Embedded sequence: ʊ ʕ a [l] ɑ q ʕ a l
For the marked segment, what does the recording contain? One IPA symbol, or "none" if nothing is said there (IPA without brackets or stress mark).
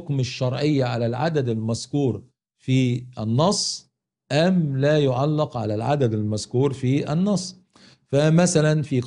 lː